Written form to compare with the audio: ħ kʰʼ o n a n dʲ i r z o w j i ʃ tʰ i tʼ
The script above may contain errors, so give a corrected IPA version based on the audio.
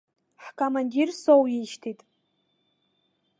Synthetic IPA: ħ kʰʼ o m a n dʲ i r s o w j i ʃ tʰ i tʼ